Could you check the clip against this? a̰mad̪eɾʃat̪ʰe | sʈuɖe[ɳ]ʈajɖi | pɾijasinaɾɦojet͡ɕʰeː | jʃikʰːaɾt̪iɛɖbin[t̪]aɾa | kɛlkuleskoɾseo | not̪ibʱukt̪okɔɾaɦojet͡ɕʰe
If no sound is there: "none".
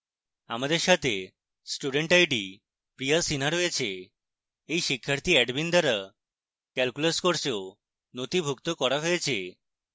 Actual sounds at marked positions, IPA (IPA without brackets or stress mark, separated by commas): ɳ, d̪